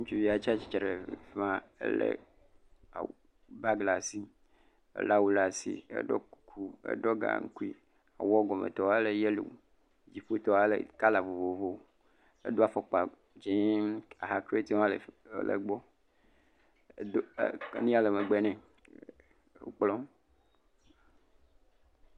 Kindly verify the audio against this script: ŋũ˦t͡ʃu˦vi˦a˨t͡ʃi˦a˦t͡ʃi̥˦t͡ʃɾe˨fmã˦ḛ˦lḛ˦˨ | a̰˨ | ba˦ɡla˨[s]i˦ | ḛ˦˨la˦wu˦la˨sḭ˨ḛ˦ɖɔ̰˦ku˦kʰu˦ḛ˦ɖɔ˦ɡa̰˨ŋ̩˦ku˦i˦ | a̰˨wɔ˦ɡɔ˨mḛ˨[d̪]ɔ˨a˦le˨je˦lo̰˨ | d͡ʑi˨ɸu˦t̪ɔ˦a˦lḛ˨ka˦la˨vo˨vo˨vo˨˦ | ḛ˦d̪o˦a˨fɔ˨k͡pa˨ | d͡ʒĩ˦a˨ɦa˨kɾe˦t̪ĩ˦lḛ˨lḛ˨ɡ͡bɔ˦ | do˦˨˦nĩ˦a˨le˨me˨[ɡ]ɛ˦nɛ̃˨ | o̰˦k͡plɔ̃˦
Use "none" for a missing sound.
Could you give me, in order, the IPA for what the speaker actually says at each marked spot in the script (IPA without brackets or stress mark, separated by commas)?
s, t̪, ɡ͡b